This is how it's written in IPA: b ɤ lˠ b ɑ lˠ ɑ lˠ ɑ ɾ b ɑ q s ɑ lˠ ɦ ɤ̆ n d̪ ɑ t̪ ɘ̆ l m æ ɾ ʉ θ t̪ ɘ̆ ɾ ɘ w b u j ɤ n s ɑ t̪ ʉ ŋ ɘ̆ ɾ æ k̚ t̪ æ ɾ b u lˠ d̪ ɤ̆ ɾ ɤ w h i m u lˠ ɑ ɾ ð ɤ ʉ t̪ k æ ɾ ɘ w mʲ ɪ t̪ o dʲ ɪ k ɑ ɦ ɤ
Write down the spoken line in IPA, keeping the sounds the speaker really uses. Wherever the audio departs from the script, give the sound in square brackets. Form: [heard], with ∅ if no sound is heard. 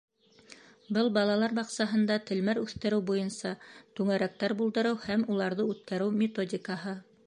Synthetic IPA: b ɤ lˠ b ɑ lˠ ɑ lˠ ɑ ɾ b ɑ q s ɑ [∅] ɦ ɤ̆ n d̪ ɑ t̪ ɘ̆ l m æ ɾ ʉ θ t̪ ɘ̆ ɾ ɘ w b u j ɤ n s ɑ t̪ ʉ ŋ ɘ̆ ɾ æ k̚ t̪ æ ɾ b u lˠ d̪ ɤ̆ ɾ ɤ w h [æ] m u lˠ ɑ ɾ ð ɤ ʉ t̪ k æ ɾ ɘ w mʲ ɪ t̪ o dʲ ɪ k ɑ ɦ ɤ